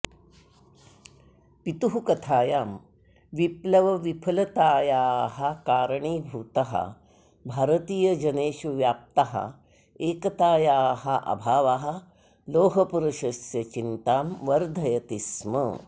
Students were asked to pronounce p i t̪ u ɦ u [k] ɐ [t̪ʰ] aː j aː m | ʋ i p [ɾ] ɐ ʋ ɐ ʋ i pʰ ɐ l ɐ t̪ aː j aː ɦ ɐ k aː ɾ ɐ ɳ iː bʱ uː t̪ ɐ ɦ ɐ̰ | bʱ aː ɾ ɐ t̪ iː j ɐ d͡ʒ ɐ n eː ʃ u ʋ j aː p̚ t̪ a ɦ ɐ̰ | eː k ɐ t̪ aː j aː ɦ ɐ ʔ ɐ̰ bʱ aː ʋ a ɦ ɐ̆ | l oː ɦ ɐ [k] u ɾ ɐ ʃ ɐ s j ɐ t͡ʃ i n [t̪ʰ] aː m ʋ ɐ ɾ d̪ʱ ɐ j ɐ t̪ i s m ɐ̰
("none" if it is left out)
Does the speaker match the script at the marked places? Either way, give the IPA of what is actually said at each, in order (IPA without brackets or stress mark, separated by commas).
k, t̪ʰ, l, p, t̪